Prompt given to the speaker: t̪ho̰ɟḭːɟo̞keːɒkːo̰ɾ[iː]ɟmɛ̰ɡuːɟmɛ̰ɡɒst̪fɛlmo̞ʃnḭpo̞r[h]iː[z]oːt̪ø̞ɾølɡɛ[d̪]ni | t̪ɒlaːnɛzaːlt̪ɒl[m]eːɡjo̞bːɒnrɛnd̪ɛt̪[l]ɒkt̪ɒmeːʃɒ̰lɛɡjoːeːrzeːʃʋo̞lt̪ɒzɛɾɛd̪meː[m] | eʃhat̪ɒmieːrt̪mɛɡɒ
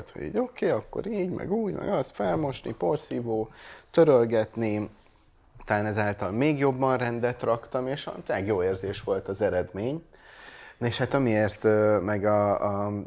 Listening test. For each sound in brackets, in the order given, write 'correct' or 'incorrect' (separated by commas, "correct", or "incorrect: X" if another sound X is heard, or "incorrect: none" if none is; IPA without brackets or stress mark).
correct, incorrect: s, incorrect: v, incorrect: t̪, correct, incorrect: r, incorrect: ɲ